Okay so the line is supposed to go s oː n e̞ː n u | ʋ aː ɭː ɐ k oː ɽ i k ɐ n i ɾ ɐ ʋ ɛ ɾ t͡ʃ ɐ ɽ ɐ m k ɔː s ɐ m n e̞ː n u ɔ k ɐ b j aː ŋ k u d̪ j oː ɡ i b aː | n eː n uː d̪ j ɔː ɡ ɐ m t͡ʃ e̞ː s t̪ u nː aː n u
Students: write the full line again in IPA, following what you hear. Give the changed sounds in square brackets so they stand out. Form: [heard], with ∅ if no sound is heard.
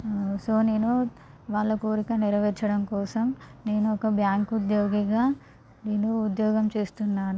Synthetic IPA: s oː n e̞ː n u | ʋ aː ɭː ɐ k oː [ɾ] i k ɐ n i ɾ ɐ ʋ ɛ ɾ t͡ʃ ɐ ɽ ɐ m k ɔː s ɐ m n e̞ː n u ɔ k ɐ b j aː ŋ k u d̪ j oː ɡ i [ɡ] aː | n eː n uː d̪ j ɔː ɡ ɐ m t͡ʃ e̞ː s t̪ u nː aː n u

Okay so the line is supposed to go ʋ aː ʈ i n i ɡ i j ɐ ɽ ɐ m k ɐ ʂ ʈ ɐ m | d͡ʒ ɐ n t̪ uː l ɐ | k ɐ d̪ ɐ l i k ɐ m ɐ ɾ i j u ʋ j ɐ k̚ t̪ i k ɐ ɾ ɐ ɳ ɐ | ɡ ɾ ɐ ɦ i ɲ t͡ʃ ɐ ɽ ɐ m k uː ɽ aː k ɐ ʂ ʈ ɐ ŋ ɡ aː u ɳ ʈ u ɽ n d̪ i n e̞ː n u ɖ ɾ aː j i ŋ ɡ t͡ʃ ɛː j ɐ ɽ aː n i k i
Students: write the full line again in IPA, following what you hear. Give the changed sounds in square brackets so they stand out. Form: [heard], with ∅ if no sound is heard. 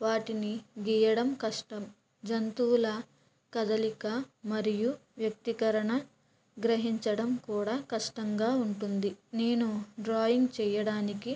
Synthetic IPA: ʋ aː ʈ i n i ɡ i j ɐ ɽ ɐ m k ɐ ʂ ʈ ɐ m | d͡ʒ ɐ n t̪ uː l ɐ | k ɐ d̪ ɐ l i k ɐ m ɐ ɾ i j u ʋ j ɐ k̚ t̪ i k ɐ ɾ ɐ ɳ ɐ | ɡ ɾ ɐ ɦ i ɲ t͡ʃ ɐ ɽ ɐ m k uː ɽ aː k ɐ ʂ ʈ ɐ ŋ ɡ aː u ɳ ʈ u [∅] n d̪ i n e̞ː n u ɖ ɾ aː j i ŋ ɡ t͡ʃ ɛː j ɐ ɽ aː n i k i

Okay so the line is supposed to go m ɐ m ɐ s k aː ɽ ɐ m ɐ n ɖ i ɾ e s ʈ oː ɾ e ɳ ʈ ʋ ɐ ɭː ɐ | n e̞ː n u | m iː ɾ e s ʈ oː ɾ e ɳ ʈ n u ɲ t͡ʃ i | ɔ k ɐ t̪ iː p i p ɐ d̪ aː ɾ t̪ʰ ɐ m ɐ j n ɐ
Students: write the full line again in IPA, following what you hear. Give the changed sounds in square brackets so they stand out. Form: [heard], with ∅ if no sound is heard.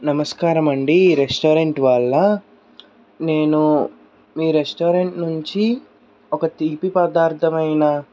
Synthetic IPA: [n] ɐ m ɐ s k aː [ɾ] ɐ m ɐ [ɳ] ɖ i ɾ e s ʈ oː ɾ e ɳ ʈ ʋ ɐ ɭː ɐ | n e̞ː n u | m iː ɾ e s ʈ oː ɾ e ɳ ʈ n u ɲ t͡ʃ i | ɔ k ɐ t̪ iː p i p ɐ d̪ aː ɾ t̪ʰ ɐ m ɐ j n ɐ

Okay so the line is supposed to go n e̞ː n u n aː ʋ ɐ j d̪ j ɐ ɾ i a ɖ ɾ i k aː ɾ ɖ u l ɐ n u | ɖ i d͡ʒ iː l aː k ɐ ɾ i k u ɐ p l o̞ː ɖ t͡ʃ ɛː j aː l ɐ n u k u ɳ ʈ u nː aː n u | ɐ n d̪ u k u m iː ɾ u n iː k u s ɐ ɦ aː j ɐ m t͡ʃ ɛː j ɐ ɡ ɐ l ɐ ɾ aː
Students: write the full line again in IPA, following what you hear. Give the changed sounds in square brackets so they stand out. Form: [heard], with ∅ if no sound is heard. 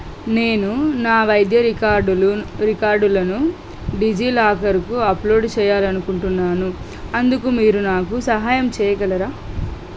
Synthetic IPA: n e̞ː n u n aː ʋ ɐ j d̪ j ɐ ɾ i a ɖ ɾ i k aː ɾ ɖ u l ɐ n u | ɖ i d͡ʒ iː l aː k ɐ ɾ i k u ɐ p l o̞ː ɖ t͡ʃ ɛː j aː l ɐ n u k u ɳ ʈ u nː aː n u | ɐ n d̪ u k u m iː ɾ u n [aː] k u s ɐ ɦ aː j ɐ m t͡ʃ ɛː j ɐ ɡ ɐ l ɐ ɾ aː

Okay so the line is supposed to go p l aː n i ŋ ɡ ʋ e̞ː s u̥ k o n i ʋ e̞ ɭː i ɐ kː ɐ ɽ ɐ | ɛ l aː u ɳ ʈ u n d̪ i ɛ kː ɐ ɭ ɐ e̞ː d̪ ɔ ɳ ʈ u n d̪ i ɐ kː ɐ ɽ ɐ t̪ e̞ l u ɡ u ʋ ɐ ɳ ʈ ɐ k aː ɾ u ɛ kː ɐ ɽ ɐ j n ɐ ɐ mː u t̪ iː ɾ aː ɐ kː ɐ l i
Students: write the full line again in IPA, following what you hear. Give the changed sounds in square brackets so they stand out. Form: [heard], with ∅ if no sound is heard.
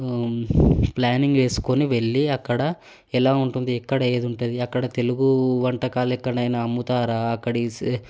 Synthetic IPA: p l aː n i ŋ ɡ ʋ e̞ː s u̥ k o n i ʋ e̞ ɭː i ɐ kː ɐ ɽ ɐ | ɛ l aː u ɳ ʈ u n d̪ i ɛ kː ɐ [ɽ] ɐ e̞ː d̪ [u] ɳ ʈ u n d̪ i ɐ kː ɐ ɽ ɐ t̪ e̞ l u ɡ u ʋ ɐ ɳ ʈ ɐ k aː [l] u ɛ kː ɐ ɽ ɐ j n ɐ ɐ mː u t̪ [aː] ɾ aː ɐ kː ɐ [ɽ] i

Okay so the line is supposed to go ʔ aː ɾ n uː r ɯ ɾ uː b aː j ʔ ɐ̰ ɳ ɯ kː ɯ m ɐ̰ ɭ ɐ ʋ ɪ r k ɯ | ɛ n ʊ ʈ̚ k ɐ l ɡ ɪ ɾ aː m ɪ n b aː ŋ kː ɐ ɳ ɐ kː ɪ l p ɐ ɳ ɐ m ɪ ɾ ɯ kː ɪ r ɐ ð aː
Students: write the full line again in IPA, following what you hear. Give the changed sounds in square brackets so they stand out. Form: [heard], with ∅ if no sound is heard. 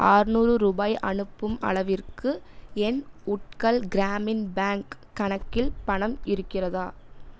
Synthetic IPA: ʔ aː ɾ n uː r ɯ ɾ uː b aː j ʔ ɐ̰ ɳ ɯ [pː] ɯ m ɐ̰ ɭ ɐ ʋ ɪ r k ɯ | ɛ n ʊ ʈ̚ k ɐ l ɡ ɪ ɾ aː m ɪ n b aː ŋ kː ɐ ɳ ɐ kː ɪ l p ɐ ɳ ɐ m ɪ ɾ ɯ kː ɪ r ɐ ð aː

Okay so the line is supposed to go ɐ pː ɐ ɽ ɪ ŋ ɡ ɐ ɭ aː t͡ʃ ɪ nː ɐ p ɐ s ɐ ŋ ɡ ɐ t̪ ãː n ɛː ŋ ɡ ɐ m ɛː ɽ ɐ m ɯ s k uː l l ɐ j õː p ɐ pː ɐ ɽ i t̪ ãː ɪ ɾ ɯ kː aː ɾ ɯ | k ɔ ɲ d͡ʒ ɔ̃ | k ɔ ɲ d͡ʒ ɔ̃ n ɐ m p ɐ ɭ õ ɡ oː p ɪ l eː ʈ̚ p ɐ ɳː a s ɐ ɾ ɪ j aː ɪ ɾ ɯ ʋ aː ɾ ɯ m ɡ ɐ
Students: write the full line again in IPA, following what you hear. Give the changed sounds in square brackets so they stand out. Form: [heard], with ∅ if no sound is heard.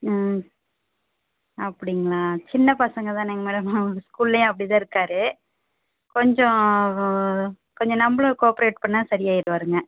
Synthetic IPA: ɐ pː ɐ ɽ ɪ ŋ ɡ ɐ ɭ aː t͡ʃ ɪ nː ɐ p ɐ s ɐ ŋ ɡ ɐ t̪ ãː n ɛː ŋ ɡ ɐ m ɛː ɽ ɐ m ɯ s k uː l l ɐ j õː [∅] ɐ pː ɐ ɽ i t̪ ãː ɪ ɾ ɯ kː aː ɾ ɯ | k ɔ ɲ d͡ʒ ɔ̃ | k ɔ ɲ d͡ʒ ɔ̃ n ɐ m [b] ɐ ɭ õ [k] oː p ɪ [ɾ] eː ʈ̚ p ɐ ɳː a s ɐ ɾ ɪ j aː ɪ ɾ ɯ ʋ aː ɾ ɯ [ŋ] ɡ ɐ

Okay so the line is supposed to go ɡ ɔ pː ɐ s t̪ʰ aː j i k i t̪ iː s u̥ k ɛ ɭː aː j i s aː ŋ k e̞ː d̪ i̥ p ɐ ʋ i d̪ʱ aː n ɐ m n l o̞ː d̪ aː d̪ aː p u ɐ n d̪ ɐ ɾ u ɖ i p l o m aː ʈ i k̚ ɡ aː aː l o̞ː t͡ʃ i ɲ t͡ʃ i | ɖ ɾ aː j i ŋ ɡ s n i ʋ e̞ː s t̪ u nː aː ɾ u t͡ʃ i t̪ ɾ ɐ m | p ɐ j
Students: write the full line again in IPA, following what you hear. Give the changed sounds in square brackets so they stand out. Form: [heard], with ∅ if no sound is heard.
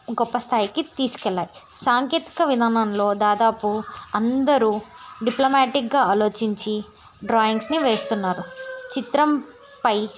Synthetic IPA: ɡ ɔ pː ɐ s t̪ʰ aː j i k i t̪ iː s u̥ k ɛ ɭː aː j i s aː ŋ k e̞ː [t̪] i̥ [k] ɐ ʋ i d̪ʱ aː n ɐ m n l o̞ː d̪ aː d̪ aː p u ɐ n d̪ ɐ ɾ u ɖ i p l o m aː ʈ i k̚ ɡ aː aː l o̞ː t͡ʃ i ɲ t͡ʃ i | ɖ ɾ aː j i ŋ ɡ s n i ʋ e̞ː s t̪ u nː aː ɾ u t͡ʃ i t̪ ɾ ɐ m | p ɐ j

